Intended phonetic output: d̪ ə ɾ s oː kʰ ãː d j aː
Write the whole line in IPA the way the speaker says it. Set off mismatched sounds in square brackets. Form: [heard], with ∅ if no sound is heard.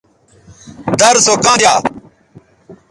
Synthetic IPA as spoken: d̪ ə ɾ s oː [k] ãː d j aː